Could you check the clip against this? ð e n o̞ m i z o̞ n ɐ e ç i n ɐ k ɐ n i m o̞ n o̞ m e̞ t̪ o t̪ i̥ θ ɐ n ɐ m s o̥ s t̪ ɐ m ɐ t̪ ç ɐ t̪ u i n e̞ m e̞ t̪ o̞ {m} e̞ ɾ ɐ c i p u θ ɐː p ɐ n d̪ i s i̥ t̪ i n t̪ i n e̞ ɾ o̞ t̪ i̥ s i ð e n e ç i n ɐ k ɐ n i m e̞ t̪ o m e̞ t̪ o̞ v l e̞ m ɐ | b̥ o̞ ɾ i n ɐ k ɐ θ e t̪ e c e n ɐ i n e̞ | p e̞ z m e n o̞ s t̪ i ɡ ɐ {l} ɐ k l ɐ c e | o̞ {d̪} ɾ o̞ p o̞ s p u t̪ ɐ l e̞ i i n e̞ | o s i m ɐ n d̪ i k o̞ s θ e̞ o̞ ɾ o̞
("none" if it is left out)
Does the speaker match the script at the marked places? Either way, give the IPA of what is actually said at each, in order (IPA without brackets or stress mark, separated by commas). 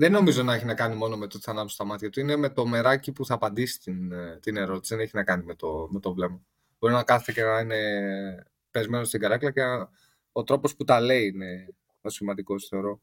m, ɾ, t̪